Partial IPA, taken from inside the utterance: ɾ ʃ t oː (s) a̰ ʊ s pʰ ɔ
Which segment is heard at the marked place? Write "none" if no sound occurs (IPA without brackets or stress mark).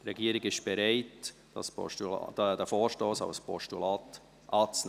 s